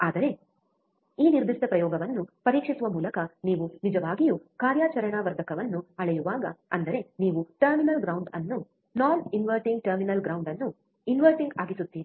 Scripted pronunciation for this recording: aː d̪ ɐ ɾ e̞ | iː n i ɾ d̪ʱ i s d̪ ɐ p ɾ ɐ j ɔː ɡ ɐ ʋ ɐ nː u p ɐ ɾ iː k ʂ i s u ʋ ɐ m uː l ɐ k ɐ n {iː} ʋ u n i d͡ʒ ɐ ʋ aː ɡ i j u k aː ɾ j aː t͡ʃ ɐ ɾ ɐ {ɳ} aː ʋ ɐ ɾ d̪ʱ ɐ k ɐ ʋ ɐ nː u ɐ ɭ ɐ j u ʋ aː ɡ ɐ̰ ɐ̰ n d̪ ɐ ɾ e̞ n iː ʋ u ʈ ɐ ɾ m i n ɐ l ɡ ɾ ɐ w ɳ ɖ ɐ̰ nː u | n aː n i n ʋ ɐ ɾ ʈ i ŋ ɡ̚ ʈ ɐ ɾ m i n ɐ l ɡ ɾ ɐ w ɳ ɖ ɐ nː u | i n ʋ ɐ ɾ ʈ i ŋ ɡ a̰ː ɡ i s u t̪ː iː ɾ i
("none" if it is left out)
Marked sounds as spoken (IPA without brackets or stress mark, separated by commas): iː, ɳ